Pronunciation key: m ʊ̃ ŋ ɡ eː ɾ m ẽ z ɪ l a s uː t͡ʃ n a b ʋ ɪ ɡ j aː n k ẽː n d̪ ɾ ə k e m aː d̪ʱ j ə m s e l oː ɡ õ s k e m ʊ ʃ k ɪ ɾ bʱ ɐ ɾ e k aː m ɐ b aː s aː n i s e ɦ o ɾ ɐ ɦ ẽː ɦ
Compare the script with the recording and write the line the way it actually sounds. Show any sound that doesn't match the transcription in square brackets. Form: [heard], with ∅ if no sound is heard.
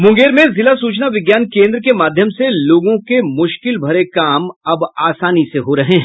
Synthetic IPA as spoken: m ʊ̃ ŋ ɡ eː ɾ m ẽ z ɪ l a s uː t͡ʃ n a [∅] ʋ ɪ ɡ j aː n k ẽː n d̪ ɾ ə k e m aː d̪ʱ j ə m s e l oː ɡ õ [∅] k e m ʊ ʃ k ɪ [l] bʱ ɐ ɾ e k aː m ɐ b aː s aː n i s e ɦ o ɾ ɐ ɦ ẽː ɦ